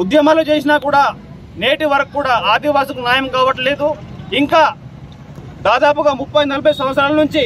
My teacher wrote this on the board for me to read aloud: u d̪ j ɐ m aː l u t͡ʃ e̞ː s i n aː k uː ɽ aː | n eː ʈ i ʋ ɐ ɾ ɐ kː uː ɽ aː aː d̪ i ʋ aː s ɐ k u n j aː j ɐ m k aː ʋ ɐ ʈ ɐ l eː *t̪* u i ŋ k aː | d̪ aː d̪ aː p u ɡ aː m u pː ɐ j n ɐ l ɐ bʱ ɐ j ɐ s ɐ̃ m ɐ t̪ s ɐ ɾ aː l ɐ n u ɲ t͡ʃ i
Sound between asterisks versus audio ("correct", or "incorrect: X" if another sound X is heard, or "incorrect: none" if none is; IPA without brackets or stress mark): incorrect: d̪